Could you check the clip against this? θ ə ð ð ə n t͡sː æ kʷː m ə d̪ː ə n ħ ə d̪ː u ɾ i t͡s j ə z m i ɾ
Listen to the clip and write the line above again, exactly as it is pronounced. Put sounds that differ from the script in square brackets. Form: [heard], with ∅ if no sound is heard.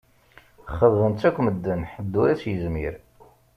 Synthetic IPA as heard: [χ] ə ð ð ə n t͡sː æ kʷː m ə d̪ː ə n ħ ə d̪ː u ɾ [æ] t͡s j ə z m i ɾ